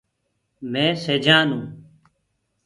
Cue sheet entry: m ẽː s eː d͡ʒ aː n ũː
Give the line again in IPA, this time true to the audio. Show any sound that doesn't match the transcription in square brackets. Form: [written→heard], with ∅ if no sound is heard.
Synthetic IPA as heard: m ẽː s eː d͡ʒ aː n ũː